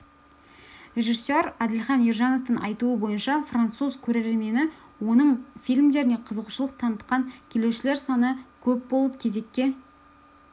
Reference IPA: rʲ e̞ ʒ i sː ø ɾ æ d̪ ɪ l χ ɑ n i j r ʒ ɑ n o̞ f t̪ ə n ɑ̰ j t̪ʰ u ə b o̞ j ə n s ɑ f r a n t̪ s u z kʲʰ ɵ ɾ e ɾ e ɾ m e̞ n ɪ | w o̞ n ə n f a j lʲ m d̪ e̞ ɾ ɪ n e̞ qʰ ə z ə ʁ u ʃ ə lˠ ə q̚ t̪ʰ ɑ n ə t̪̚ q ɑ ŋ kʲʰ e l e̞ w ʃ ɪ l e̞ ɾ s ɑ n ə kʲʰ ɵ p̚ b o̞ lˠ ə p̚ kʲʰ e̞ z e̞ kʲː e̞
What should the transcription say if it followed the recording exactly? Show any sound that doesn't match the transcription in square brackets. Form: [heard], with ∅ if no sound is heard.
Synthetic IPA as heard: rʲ e̞ ʒ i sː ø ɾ æ d̪ ɪ l χ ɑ n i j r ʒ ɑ n o̞ f t̪ ə n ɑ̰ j [t̪] u ə b o̞ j ə n [ʃ] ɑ f r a n t̪ s u z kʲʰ ɵ ɾ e ɾ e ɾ m e̞ n ɪ | w o̞ n ə [ɴ] f [i] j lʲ m d̪ e̞ ɾ ɪ n e̞ qʰ ə z ə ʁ u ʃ ə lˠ ə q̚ t̪ʰ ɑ n ə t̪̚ q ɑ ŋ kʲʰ e l e̞ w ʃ ɪ l e̞ ɾ s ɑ n ə kʲʰ ɵ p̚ b o̞ lˠ ə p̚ kʲʰ e̞ z e̞ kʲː e̞